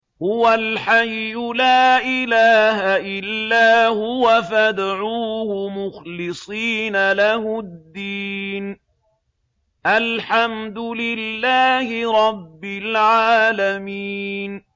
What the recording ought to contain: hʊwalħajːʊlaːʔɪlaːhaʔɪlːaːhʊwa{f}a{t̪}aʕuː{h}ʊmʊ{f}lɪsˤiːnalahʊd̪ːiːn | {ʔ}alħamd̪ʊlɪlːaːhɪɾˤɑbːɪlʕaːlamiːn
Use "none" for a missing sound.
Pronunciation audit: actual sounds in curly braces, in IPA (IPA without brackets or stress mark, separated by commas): f, d̪, h, x, ʔ